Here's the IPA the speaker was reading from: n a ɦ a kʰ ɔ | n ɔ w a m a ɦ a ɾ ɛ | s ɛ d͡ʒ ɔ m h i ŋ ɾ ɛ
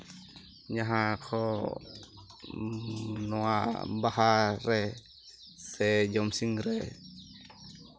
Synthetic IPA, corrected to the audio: ɲ a ɦ a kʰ ɔ | n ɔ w a b a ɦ a ɾ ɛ | s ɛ d͡ʒ ɔ m s i ŋ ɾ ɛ